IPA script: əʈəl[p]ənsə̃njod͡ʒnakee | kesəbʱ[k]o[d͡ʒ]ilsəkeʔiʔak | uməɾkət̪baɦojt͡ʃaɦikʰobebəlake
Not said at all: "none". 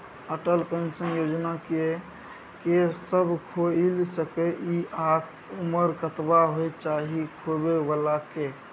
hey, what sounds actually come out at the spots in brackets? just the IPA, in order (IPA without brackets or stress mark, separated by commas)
p, kʰ, none